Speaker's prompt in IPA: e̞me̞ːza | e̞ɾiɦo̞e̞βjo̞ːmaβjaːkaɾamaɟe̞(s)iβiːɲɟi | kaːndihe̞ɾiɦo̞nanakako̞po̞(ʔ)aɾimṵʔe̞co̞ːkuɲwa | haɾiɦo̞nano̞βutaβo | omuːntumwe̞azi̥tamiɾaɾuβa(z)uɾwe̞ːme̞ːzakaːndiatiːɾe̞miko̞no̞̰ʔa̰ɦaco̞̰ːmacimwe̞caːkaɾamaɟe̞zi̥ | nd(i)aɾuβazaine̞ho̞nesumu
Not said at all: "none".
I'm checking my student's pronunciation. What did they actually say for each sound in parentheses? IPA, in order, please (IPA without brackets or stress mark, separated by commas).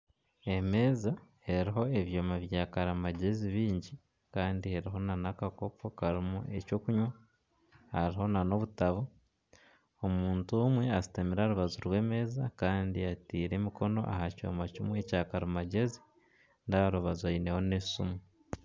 z, k, z, a